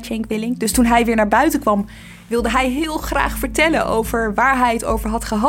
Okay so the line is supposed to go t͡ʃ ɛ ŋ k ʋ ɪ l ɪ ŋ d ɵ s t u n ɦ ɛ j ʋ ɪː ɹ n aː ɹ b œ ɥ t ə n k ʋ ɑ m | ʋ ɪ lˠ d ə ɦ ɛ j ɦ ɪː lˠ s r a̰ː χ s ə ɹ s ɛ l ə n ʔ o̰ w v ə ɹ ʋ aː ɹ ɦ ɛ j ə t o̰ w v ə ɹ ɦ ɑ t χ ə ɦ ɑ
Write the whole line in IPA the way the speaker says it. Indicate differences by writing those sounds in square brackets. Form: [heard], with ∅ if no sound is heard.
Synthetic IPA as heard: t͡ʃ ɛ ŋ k ʋ ɪ l ɪ ŋ d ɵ s t u n ɦ ɛ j ʋ ɪː ɹ n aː ɹ b œ ɥ t ə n k ʋ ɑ m | ʋ ɪ lˠ d ə ɦ ɛ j ɦ ɪː lˠ [χ] r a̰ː χ [f] ə ɹ [t] ɛ l ə n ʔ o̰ w v ə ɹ ʋ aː ɹ ɦ ɛ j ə t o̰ w v ə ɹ ɦ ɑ t χ ə ɦ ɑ